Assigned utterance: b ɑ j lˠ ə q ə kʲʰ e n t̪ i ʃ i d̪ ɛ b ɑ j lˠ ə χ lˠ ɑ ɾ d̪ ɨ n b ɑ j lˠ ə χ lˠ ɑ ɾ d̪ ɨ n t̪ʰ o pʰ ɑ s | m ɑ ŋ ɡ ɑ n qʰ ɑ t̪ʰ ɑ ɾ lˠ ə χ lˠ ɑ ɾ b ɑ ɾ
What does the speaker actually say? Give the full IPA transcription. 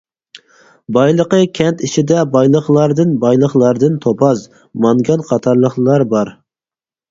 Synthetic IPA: b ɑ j lˠ ə q ə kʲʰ ɛ n t̪ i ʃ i d̪ ɛ b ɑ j lˠ ə χ lˠ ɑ ɾ d̪ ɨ n b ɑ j lˠ ə χ lˠ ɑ ɾ d̪ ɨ n t̪ʰ o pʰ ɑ z | m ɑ ŋ ɡ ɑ n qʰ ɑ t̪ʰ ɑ ɾ lˠ ə χ lˠ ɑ ɾ b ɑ ɾ